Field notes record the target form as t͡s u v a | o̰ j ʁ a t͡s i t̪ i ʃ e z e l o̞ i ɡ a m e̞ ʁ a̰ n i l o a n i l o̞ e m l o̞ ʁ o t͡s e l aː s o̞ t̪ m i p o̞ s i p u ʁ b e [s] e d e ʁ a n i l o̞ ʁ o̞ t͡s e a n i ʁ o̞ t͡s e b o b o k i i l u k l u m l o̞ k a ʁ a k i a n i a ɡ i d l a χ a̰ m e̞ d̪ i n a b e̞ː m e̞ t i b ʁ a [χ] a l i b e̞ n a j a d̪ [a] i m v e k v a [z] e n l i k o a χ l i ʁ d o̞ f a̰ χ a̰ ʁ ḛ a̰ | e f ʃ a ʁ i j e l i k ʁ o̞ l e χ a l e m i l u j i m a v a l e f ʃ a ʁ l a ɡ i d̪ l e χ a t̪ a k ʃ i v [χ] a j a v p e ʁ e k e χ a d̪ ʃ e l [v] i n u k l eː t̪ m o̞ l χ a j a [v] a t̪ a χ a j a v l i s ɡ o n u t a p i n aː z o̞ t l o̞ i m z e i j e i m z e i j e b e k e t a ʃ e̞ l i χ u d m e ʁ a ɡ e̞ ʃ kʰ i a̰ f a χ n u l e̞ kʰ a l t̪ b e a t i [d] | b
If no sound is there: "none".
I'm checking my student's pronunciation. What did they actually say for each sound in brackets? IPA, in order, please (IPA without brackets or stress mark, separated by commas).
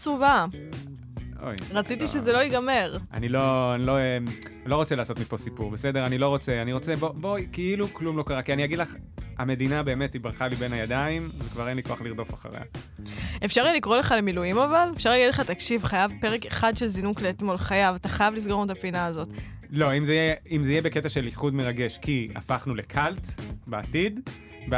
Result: s, χ, a, ʁ, χ, z, v, d